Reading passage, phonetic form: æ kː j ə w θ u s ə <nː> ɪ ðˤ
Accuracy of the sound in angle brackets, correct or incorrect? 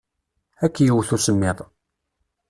incorrect